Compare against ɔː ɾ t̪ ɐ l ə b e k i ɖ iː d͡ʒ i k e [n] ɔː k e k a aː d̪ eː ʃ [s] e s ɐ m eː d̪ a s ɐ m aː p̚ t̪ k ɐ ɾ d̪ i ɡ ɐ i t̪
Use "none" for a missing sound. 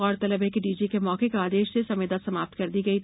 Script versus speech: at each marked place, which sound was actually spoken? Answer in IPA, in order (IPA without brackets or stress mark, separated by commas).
m, s